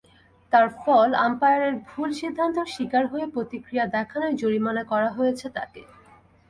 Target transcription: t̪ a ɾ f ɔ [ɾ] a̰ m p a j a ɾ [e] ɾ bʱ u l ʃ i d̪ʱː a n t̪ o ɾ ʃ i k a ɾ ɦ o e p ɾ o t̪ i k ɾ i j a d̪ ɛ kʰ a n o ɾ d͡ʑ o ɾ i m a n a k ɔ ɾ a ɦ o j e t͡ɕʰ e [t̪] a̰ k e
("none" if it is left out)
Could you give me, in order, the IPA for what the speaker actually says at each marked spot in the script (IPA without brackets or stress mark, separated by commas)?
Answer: l, e, t̪